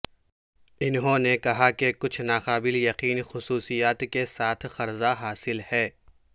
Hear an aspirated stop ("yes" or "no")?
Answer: yes